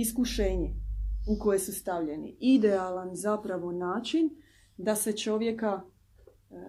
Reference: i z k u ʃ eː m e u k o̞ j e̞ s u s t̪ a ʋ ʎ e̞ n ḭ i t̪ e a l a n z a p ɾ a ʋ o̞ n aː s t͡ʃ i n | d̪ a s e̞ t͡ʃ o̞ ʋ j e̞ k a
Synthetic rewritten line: i s k u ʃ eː ɲ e u k o̞ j e̞ s u s t̪ a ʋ ʎ e̞ n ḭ i d̪ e a l a n z a p ɾ a ʋ o̞ n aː t͡ʃ i n | d̪ a s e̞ t͡ʃ o̞ ʋ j e̞ k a